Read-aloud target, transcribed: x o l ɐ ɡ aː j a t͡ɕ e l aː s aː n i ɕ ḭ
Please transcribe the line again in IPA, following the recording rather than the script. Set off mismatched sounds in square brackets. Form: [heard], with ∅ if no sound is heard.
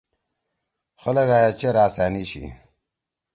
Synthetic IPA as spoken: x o l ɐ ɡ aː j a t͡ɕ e [ɾ] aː s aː n i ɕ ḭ